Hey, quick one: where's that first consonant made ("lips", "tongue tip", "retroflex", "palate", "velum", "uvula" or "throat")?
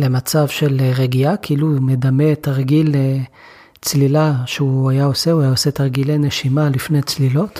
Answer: tongue tip